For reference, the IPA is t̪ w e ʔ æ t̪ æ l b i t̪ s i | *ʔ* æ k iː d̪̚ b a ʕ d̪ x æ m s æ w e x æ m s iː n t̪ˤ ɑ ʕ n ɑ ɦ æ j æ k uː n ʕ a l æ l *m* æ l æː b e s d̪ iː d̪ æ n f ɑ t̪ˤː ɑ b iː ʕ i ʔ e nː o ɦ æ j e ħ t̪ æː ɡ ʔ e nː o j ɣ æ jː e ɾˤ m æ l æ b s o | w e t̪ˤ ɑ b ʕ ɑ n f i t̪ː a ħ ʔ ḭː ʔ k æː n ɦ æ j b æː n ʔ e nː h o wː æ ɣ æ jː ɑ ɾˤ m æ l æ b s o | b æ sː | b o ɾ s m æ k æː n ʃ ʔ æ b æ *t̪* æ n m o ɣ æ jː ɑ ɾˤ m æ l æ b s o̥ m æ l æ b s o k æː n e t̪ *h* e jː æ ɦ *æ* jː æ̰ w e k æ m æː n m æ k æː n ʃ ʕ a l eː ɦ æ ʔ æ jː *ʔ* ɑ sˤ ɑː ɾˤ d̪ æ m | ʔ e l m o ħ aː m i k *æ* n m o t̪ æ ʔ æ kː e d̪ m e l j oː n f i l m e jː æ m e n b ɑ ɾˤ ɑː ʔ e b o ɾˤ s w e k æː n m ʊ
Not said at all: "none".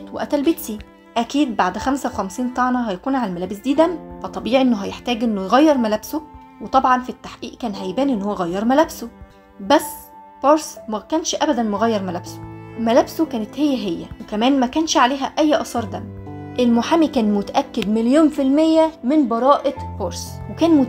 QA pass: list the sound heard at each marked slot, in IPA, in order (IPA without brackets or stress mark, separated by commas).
ʔ, m, d̪, h, e, ʔ, æː